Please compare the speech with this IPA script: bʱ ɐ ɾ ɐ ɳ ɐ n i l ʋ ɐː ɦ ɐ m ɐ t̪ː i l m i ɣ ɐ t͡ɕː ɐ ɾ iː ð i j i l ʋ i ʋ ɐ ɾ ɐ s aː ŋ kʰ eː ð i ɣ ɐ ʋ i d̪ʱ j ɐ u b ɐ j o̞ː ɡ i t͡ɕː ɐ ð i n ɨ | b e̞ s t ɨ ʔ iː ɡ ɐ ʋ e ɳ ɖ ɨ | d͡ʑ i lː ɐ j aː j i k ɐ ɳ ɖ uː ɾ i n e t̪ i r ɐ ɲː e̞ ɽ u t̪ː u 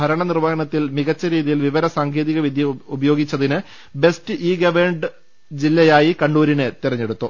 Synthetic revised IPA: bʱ ɐ ɾ ɐ ɳ ɐ n i r ʋ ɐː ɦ ɐ ɳ ɐ t̪ː i l m i ɣ ɐ t͡ɕː ɐ ɾ iː ð i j i l ʋ i ʋ ɐ ɾ ɐ s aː ŋ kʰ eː ð i ɣ ɐ ʋ i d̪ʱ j ɐ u b ɐ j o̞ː ɡ i t͡ɕː ɐ ð i n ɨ | b e̞ s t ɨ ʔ iː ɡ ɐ ʋ e ɳ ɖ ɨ | d͡ʑ i lː ɐ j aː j i k ɐ ɳ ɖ uː ɾ i n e t̪ i r ɐ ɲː e̞ ɽ u t̪ː u